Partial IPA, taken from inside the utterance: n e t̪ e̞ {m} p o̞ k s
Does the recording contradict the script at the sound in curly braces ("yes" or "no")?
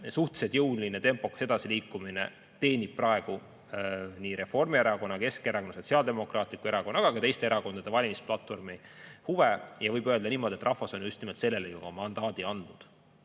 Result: no